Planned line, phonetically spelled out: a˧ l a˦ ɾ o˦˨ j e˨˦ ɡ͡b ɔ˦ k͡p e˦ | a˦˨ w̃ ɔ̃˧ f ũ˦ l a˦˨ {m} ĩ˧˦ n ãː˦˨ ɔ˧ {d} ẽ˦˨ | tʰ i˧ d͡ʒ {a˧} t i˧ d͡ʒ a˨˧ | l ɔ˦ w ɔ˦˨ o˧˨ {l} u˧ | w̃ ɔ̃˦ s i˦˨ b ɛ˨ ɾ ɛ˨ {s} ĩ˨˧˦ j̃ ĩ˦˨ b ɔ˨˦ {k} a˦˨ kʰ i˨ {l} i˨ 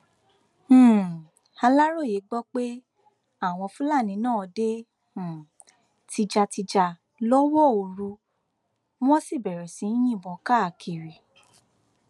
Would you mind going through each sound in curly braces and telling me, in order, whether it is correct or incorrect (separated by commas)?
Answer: incorrect, correct, correct, incorrect, correct, correct, incorrect